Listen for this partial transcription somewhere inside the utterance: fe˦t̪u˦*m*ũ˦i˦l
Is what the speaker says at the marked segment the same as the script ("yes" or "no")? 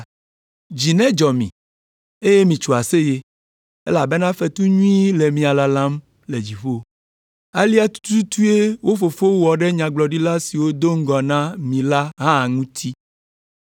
no